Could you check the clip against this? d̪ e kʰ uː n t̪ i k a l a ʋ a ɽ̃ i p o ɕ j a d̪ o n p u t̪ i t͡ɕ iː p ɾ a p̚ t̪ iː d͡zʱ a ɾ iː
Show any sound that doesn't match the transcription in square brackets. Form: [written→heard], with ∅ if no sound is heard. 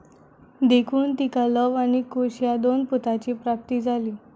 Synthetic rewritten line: d̪ e kʰ uː n t̪ i k a l [a→ə] ʋ a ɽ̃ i [p→k] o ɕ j a d̪ o n p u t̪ [i→a] t͡ɕ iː p ɾ a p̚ t̪ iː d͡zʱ a [ɾ→l] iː